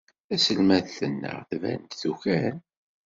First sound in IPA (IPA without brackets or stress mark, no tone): æ